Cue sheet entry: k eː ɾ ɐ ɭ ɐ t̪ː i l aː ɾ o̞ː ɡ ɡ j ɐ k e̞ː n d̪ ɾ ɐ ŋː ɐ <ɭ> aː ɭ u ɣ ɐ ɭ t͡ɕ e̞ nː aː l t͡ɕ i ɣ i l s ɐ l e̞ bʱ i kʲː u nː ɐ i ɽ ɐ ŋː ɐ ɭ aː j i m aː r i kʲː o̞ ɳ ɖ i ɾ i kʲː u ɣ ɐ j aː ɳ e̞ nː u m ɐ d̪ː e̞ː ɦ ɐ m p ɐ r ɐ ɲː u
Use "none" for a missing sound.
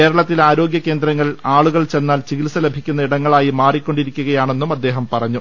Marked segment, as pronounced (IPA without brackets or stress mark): ɭ